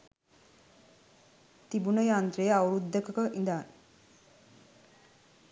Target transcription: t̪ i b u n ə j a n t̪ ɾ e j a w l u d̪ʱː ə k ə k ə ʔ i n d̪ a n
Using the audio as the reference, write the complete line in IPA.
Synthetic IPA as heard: t̪ i b u n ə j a n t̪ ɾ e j a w ɾ u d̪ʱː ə k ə k ə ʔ i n d̪ a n